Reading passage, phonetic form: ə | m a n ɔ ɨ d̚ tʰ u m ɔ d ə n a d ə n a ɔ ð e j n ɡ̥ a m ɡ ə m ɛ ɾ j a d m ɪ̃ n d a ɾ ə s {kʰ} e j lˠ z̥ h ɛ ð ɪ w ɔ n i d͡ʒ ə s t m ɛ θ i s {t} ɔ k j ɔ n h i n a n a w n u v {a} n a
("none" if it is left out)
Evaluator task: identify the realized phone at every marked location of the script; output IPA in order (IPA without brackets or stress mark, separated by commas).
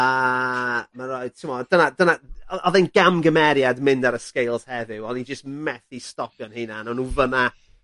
k, t, ə